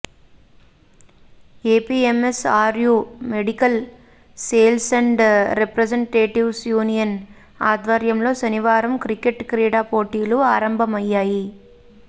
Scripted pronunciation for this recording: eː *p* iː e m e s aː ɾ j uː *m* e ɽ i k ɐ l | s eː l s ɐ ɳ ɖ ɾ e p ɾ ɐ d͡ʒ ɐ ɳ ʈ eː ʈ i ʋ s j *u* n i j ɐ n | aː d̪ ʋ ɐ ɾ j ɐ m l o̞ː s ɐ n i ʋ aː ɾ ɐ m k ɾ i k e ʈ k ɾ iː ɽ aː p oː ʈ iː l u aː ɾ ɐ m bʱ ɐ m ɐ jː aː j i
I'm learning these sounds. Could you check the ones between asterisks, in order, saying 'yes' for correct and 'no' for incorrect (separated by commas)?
yes, yes, no